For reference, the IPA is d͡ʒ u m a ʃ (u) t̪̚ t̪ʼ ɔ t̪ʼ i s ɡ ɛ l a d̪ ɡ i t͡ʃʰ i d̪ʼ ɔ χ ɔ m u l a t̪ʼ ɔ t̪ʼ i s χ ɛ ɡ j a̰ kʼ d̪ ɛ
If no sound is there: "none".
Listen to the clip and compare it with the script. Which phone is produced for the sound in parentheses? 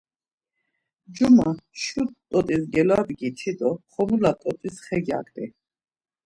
u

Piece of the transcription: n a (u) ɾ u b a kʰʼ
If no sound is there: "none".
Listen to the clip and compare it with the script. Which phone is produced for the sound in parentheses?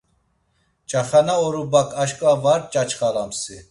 ɔ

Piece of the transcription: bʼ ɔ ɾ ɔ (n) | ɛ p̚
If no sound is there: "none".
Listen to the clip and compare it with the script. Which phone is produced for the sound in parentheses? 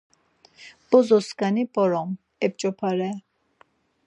m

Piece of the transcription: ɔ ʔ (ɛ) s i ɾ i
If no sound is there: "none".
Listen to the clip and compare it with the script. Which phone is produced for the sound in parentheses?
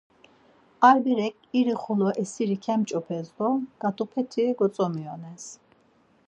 ɛ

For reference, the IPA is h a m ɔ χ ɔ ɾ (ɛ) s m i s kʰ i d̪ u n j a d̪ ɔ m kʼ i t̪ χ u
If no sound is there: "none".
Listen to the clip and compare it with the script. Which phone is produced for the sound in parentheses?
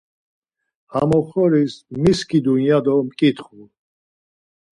i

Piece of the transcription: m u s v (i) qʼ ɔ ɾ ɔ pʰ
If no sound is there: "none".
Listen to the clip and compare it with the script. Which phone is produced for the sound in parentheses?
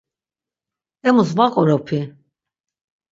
a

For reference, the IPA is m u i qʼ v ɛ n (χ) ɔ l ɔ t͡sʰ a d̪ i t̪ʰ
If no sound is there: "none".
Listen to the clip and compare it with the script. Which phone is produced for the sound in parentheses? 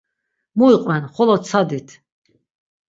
χ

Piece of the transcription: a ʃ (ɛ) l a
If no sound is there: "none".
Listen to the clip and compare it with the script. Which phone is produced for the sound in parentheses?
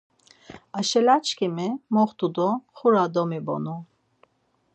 ɛ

